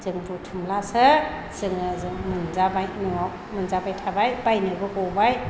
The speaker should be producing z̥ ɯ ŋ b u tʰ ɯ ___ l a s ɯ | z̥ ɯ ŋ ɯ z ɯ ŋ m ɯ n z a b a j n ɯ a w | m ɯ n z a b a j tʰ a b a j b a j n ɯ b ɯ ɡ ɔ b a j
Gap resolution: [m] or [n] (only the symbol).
m